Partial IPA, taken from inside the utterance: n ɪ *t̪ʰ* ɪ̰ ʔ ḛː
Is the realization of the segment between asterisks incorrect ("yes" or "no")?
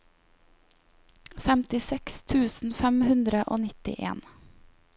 yes